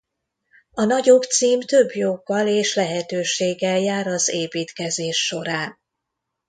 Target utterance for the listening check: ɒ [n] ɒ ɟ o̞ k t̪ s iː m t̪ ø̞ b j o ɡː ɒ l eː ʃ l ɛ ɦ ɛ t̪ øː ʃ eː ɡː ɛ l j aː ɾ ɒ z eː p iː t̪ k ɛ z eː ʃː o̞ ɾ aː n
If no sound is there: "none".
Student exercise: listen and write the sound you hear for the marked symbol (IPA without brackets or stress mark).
n